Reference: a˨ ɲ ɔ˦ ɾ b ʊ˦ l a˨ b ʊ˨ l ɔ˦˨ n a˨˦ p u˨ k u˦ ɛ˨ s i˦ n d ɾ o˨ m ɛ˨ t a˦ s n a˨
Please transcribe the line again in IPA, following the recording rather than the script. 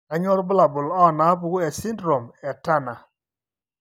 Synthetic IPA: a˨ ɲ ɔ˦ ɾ b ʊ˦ l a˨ b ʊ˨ l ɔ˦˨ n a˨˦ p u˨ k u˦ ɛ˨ s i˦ n d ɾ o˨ m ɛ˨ t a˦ n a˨